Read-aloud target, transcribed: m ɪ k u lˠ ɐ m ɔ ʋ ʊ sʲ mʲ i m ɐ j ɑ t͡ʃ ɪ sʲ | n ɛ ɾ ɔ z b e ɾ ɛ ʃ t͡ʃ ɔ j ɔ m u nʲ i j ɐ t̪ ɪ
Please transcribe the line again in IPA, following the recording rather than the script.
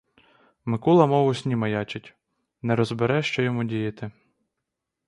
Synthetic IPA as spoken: m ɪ k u lˠ ɐ m ɔ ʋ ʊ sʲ nʲ i m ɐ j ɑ t͡ʃ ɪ tʲ | n ɛ ɾ ɔ z b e ɾ ɛ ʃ t͡ʃ ɔ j ɔ m u dʲ i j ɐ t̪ ɪ